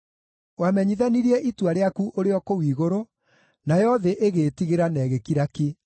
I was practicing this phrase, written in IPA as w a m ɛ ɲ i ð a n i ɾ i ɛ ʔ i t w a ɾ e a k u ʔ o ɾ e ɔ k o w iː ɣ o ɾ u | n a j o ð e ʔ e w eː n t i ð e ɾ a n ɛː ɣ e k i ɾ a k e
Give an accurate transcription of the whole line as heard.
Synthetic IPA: w a m ɛ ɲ i ð a n i ɾ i ɛ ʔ i t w a ɾ e a k u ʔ o ɾ e ɔ k o w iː ɣ o ɾ o | n a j ɔ ð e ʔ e ɣ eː t i ɣ e ɾ a n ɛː ɣ e k i ɾ a k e